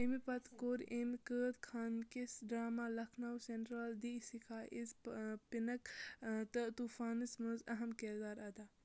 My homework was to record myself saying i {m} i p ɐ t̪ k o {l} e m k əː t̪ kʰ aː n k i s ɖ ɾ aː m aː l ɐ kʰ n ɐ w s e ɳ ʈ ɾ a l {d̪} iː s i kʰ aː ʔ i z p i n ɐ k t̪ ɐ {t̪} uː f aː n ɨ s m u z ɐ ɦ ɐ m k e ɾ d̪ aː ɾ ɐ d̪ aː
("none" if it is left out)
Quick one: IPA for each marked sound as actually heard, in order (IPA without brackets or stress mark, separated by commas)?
m, ɾ, d̪, t̪